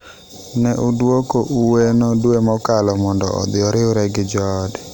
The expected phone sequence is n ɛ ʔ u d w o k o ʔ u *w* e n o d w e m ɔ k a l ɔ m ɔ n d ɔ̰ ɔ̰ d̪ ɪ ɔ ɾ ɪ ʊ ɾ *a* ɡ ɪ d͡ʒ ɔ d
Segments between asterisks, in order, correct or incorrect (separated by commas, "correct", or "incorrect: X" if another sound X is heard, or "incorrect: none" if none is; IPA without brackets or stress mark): correct, incorrect: ɛ